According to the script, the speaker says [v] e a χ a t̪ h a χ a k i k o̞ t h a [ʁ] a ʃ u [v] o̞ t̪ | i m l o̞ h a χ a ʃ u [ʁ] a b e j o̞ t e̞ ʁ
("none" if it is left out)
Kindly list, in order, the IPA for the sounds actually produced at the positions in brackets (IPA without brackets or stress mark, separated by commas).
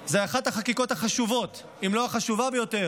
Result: z, χ, v, v